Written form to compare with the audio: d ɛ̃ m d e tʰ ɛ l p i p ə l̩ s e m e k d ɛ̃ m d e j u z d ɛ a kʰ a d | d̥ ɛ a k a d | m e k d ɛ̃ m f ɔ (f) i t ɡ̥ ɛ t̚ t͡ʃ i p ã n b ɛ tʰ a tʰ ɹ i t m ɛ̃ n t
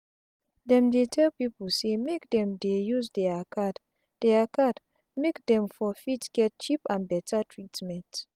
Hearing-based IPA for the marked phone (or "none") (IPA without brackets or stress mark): f